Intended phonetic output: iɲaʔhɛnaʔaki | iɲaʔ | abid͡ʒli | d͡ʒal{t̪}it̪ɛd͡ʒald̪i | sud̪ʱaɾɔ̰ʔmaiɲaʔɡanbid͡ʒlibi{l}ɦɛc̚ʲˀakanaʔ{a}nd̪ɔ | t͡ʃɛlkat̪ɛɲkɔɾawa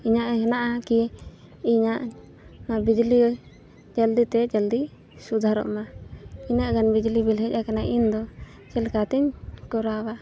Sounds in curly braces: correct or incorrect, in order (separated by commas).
incorrect, correct, incorrect